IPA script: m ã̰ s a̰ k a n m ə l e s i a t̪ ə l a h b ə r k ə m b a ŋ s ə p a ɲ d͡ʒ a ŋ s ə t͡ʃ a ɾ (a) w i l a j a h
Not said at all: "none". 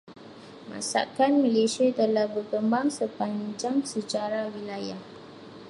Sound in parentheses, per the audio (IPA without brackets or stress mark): a